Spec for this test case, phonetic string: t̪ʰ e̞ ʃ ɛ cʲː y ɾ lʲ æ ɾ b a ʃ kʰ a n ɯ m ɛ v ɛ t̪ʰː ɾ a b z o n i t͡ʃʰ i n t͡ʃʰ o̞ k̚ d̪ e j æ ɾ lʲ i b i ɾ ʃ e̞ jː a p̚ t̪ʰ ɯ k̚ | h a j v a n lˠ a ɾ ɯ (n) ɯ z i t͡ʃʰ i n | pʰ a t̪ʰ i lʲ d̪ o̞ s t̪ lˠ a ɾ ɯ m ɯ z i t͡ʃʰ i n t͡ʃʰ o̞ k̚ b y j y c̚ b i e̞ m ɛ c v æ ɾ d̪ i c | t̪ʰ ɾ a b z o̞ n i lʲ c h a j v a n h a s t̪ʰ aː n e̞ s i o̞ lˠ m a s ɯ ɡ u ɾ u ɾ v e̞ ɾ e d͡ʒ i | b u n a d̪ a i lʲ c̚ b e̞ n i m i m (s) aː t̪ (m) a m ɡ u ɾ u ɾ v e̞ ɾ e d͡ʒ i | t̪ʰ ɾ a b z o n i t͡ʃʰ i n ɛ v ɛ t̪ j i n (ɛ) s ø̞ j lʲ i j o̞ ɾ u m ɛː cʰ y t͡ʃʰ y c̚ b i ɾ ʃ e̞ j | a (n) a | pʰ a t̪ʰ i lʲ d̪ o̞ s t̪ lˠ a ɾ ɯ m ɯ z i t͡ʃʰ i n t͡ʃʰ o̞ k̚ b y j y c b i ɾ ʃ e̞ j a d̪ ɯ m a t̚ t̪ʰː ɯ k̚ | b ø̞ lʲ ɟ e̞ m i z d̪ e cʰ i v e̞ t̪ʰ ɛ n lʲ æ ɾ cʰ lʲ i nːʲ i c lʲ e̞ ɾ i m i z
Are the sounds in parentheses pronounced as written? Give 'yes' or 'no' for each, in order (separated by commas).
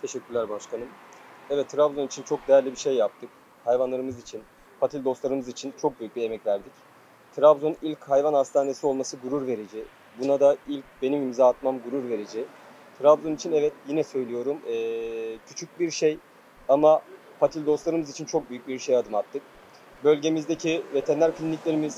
no, no, yes, yes, no